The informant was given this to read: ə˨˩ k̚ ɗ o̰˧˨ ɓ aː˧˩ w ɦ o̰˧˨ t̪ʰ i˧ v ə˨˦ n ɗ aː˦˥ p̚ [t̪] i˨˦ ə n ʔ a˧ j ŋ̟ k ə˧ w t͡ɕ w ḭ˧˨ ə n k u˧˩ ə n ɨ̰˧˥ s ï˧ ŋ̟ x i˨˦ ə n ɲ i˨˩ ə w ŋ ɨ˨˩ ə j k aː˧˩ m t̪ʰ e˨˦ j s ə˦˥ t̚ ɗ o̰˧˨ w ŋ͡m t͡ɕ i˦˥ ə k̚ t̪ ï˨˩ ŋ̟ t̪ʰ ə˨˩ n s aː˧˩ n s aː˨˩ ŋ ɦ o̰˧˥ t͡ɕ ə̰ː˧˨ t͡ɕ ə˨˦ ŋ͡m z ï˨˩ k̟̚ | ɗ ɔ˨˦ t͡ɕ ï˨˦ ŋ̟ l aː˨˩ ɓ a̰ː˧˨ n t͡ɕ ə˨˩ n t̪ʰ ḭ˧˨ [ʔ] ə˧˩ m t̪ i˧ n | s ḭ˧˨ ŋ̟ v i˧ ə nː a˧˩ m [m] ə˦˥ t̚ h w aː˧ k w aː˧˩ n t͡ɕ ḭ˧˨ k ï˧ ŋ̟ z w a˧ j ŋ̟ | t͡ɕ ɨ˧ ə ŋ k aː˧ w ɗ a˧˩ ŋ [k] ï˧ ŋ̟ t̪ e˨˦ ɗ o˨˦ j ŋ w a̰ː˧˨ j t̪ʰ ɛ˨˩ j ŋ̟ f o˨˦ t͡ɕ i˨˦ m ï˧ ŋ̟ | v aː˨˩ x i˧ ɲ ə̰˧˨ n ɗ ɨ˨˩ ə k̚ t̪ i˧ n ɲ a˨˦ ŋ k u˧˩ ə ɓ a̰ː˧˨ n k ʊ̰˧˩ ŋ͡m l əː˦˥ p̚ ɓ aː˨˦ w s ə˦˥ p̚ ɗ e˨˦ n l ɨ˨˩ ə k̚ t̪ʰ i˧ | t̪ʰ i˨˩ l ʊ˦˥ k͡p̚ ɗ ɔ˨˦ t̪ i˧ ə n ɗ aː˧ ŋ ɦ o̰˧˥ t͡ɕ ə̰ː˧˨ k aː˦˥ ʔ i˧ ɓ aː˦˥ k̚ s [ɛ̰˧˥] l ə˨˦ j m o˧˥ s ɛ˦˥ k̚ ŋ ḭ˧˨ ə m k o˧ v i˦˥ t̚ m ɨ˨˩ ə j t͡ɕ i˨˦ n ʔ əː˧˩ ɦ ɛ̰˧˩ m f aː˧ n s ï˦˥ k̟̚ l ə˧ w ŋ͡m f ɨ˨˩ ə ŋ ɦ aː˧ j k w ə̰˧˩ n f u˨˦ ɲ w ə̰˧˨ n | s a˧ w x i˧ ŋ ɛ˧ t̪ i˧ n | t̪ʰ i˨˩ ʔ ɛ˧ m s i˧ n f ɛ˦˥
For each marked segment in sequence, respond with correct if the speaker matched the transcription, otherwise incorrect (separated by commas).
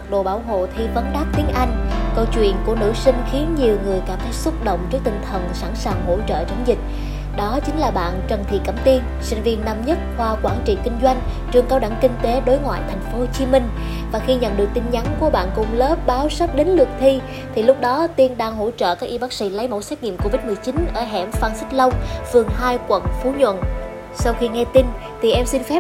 correct, incorrect, incorrect, correct, incorrect